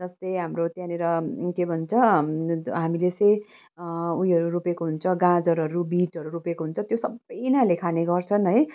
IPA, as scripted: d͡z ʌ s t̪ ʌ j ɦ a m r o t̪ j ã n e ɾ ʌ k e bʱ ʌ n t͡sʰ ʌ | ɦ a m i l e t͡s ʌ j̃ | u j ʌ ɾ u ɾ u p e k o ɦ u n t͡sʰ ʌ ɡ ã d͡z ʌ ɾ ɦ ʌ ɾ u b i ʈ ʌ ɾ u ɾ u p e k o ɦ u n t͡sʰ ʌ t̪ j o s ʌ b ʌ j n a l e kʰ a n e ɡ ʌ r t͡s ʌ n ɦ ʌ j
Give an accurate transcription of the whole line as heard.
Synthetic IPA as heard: d͡z ʌ s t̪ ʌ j ɦ a m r o t̪ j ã n e ɾ ʌ k e bʱ ʌ n t͡sʰ ʌ | ɦ a m i l e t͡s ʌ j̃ | u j ʌ ɾ u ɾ u p e k o ɦ u n t͡sʰ ʌ ɡ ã d͡z ʌ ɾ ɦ ʌ ɾ u b i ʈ ʌ ɾ u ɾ u p e k o ɦ u n t͡sʰ ʌ t̪ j o s ʌ b ʌ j n a l e kʰ a n e ɡ ʌ r t͡sʰ ʌ n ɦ ʌ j

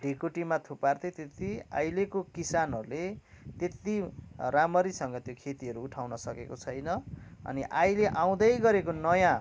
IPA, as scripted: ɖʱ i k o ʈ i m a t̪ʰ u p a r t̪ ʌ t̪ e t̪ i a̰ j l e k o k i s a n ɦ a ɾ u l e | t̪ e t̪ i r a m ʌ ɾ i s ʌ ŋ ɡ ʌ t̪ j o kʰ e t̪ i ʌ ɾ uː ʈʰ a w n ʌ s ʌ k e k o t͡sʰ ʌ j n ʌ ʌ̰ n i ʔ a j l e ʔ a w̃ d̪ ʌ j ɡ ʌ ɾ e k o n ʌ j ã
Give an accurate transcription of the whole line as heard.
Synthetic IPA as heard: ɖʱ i k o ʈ i m a t̪ʰ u p a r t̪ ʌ t̪ e t̪ i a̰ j l e k o k i s a n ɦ ʌ ɾ u l e | t̪ e t̪ i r a m ʌ ɾ i s ʌ ŋ ɡ ʌ t̪ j o kʰ e t̪ i ʌ ɾ uː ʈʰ a w n ʌ s ʌ k e k o t͡sʰ ʌ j n ʌ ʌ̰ n i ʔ a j l e ʔ a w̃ d̪ ʌ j ɡ ʌ ɾ e k o n ʌ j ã

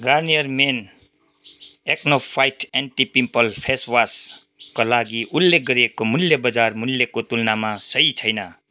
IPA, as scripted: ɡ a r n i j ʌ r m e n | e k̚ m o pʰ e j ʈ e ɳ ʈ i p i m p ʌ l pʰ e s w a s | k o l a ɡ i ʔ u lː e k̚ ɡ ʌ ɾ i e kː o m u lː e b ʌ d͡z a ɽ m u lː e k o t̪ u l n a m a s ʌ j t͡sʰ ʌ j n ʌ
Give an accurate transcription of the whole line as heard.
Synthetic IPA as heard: ɡ a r n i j ʌ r m e n | e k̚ n o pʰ a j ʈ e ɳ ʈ i p i m p ʌ l pʰ e s w a s | k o l a ɡ i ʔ u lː e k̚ ɡ ʌ ɾ i e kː o m u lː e b ʌ d͡z a r m u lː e k o t̪ u l n a m a s ʌ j t͡sʰ ʌ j n ʌ

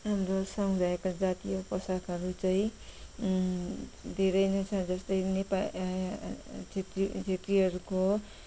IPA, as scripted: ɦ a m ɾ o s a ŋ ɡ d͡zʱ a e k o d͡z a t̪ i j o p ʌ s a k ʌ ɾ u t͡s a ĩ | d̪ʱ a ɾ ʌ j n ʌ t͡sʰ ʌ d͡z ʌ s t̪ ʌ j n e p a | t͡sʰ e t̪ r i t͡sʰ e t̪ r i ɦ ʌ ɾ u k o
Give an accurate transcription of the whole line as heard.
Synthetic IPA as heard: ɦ a m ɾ o s ʌ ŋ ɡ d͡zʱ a e k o d͡z a t̪ i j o p ʌ s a k ʌ ɾ u t͡s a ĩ | d̪ʱ e ɾ ʌ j n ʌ t͡sʰ ʌ d͡z ʌ s t̪ ʌ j n e p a | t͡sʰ e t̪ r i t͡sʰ e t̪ r i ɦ ʌ ɾ u k o

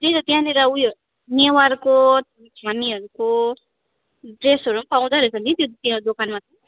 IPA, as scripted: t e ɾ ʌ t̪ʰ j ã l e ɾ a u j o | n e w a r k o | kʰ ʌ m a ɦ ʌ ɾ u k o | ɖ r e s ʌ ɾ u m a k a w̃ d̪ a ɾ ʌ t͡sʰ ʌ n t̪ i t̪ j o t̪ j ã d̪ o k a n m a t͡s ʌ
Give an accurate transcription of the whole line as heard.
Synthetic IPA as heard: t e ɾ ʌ t̪ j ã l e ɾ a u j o | n e w a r k o | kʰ a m i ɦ ʌ ɾ u k o | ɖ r e s ʌ ɾ u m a p a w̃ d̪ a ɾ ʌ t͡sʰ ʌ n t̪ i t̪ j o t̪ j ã d̪ o k a n m a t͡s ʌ

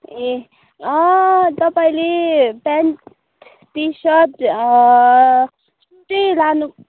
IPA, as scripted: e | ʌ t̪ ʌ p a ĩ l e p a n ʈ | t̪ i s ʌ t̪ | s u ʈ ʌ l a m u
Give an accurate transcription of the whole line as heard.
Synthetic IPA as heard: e | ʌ t̪ ʌ p a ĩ l e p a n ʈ | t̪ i s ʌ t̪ | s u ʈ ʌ l a n u

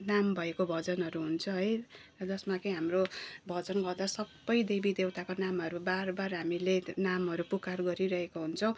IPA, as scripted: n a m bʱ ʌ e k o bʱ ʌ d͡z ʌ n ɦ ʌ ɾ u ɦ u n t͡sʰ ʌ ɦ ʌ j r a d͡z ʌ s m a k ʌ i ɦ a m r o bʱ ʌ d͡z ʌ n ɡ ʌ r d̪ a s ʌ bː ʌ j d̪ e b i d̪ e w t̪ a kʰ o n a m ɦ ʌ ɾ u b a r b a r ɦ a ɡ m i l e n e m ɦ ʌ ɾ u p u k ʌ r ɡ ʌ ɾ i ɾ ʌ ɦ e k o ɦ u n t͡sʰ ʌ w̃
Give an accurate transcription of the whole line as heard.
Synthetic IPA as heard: n a m bʱ ʌ e k o bʱ ʌ d͡z ʌ n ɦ ʌ ɾ u ɦ u n t͡sʰ ʌ ɦ ʌ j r ʌ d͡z ʌ s m a k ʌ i ɦ a m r o bʱ ʌ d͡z ʌ n ɡ ʌ r d̪ a s ʌ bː ʌ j d̪ e b i d̪ e w t̪ a k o n a m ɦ ʌ ɾ u b a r b a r ɦ a m i l e n a m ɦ ʌ ɾ u p u k a r ɡ ʌ ɾ i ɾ ʌ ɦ e k o ɦ u n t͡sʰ ʌ w̃

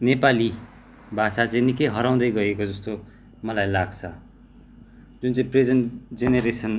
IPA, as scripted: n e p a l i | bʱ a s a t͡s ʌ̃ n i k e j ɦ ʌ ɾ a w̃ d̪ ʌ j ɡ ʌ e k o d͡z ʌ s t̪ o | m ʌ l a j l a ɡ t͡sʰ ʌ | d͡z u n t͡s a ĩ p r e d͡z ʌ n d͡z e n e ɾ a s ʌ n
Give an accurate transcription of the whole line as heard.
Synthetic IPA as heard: n e p a l i | bʱ a s a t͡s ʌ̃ n i k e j ɦ ʌ ɾ a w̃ d̪ ʌ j ɡ ʌ e k o d͡z ʌ s t̪ o | m ʌ l a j l a ɡ t͡sʰ ʌ | d͡z u n t͡s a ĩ p r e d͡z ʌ n d͡z e n e ɾ e s ʌ n

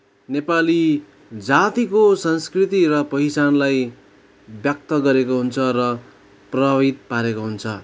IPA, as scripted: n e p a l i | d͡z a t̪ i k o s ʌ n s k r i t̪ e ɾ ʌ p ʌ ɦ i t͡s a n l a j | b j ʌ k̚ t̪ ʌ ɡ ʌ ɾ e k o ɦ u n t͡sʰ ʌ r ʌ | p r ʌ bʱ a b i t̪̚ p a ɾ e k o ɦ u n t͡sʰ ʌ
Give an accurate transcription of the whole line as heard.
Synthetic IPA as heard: n e p a l i | d͡z a t̪ i k o s ʌ n s k r i t̪ i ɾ ʌ p ʌ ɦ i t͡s a n l a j | b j ʌ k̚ t̪ ʌ ɡ ʌ ɾ e k o ɦ u n t͡sʰ ʌ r ʌ | p r ʌ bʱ a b i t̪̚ p a ɾ e k o ɦ u n t͡sʰ ʌ

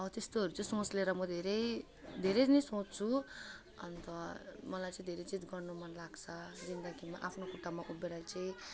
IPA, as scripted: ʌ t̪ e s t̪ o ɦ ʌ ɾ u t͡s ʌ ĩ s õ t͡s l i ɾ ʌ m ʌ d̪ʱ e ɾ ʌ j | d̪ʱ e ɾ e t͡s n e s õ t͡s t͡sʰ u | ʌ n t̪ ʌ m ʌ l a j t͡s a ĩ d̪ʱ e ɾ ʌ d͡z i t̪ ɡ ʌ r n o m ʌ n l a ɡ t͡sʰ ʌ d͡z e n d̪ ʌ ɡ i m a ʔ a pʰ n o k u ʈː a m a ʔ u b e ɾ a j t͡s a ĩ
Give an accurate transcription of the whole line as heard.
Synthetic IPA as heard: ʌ t̪ e s t̪ o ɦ ʌ ɾ u t͡s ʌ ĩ s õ t͡s l e ɾ ʌ m ʌ d̪ʱ e ɾ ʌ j | d̪ʱ e ɾ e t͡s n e s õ t͡s t͡sʰ u | ʌ n t̪ ʌ m ʌ l a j t͡s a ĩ d̪ʱ e ɾ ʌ d͡z i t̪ ɡ ʌ r n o m ʌ n l a ɡ t͡sʰ ʌ d͡z i n d̪ ʌ ɡ i m a ʔ a pʰ n o k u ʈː a m a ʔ u b e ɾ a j t͡s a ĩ

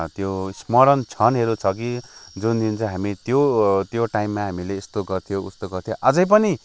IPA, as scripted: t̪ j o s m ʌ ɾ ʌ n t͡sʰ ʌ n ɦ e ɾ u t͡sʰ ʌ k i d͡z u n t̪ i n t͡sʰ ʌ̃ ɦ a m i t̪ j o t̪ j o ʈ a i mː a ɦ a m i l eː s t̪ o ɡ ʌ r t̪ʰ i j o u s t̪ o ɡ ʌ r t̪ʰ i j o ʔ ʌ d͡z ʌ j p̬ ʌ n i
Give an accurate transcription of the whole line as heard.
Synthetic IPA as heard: t̪ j o s m ʌ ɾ ʌ n t͡sʰ ʌ n ɦ e ɾ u t͡sʰ ʌ k i d͡z u n d̪ i n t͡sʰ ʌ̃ ɦ a m i t̪ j o t̪ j o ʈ a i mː a ɦ a m i l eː s t̪ o ɡ ʌ r t̪ʰ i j o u s t̪ o ɡ ʌ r t̪ʰ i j o ʔ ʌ d͡z ʌ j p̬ ʌ n i

